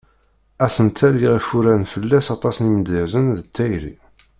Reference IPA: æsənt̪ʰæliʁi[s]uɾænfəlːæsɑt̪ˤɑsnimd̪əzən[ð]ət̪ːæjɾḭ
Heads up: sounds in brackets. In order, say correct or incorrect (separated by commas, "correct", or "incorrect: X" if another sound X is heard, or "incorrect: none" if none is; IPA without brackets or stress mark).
incorrect: f, correct